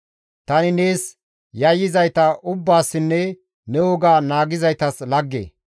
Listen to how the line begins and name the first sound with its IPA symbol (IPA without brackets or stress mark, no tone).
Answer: t̪